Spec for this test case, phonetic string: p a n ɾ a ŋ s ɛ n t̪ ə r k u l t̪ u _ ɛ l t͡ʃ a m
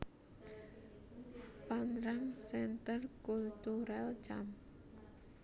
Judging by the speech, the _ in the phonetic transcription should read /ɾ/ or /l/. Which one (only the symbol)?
ɾ